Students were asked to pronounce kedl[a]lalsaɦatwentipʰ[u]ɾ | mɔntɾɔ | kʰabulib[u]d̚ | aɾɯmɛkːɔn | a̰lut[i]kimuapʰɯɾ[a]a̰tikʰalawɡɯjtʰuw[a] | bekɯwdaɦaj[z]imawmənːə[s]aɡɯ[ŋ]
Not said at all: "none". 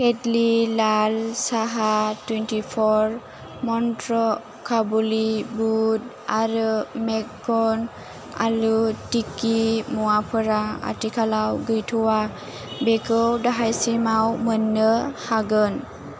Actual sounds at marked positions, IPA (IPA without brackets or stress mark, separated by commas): i, ɔ, u, i, a, a, s, h, n